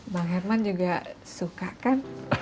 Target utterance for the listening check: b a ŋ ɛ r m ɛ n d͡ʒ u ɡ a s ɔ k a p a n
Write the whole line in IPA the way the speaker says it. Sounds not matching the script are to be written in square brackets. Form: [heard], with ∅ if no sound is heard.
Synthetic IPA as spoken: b a ŋ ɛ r m [a] n d͡ʒ u ɡ a s [u] k a [k] a n

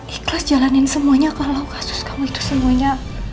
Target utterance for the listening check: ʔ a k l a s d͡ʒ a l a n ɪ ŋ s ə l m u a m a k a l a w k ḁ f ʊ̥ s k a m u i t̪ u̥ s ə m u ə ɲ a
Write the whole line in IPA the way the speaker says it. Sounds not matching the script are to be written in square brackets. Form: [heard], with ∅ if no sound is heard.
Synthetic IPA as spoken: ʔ [i] k l a s d͡ʒ a l a n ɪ [n] s ə [∅] m u a [ɲ] a k a l a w k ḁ [s] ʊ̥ s k a m u i t̪ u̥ s ə m u [a] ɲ a

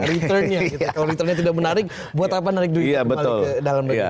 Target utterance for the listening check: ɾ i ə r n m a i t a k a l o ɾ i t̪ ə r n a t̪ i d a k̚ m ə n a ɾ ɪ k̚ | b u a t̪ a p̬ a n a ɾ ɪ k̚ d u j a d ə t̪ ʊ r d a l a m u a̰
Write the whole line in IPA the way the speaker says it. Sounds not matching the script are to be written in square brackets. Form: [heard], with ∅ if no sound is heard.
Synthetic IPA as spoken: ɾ i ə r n [ɲ] a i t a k a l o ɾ i t̪ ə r [ɲ] a t̪ i d a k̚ m ə n a ɾ ɪ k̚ | b u a t̪ a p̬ a n a ɾ ɪ k̚ d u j a [b] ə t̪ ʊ [l] d a l a m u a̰

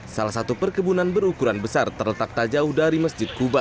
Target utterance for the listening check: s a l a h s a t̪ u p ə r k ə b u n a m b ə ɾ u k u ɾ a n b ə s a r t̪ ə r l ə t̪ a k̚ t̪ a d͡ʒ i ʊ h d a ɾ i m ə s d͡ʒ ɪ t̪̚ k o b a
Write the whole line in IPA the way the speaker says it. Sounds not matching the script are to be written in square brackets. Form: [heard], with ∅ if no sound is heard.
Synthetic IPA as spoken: s a l a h s a t̪ u p ə r k ə b u n a [n] b ə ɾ u k u ɾ a n b ə s a r t̪ ə r l ə t̪ a k̚ t̪ a d͡ʒ [a] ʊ h d a ɾ i m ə s d͡ʒ ɪ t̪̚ k [u] b a

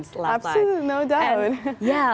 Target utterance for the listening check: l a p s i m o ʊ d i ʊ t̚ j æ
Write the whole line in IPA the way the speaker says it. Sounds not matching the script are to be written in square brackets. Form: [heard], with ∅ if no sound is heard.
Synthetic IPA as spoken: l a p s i [n] o ʊ d [a] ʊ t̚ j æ

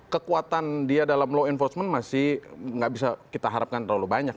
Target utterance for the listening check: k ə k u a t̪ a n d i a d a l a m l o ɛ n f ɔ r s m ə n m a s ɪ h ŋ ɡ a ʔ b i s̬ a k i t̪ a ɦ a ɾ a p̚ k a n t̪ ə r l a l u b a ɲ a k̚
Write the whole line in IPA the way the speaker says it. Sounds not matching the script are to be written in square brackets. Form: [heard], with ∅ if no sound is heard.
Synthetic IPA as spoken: k ə k u a t̪ a n d i a d a l a m l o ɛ n f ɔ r s m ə n m a s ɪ h ŋ ɡ a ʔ b i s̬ a k i t̪ a ɦ a ɾ a p̚ k a n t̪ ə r l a l u b a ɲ a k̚

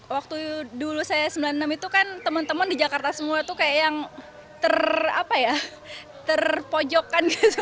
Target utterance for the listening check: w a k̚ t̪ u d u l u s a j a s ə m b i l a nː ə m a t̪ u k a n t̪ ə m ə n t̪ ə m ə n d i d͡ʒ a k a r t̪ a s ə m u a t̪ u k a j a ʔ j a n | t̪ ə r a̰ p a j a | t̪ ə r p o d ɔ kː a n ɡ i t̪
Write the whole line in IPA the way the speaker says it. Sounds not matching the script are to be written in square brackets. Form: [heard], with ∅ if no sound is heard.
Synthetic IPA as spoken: w a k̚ t̪ u d u l u s a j a s ə m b i l a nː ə m [i] t̪ u k a n t̪ ə m ə n t̪ ə m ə n d i d͡ʒ a k a r t̪ a s ə m u a t̪ u k a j a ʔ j a [ŋ] | t̪ ə r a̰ p a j a | t̪ ə r p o [d͡ʒ] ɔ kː a n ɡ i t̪

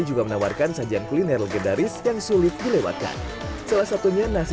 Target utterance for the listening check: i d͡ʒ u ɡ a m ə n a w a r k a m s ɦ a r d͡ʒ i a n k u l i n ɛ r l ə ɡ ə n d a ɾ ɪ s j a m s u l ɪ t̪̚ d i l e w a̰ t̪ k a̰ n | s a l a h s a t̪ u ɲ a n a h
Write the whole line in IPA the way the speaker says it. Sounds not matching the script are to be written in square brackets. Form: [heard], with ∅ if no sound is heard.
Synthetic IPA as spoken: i d͡ʒ u ɡ a m ə n a w a r k a [n] s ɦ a [∅] d͡ʒ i a n k u l i n ɛ r l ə ɡ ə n d a ɾ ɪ s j a [ŋ] s u l ɪ t̪̚ d i l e w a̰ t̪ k a̰ n | s a l a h s a t̪ u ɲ a n a [s]

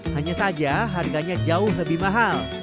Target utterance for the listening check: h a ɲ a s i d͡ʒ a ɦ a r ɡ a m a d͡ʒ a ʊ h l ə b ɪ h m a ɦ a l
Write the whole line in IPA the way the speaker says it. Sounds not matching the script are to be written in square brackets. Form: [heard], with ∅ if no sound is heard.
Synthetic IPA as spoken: h a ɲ a s [a] d͡ʒ a ɦ a r ɡ a [ɲ] a d͡ʒ a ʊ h l ə b ɪ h m a ɦ a l

